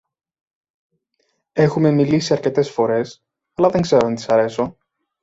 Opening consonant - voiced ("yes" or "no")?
no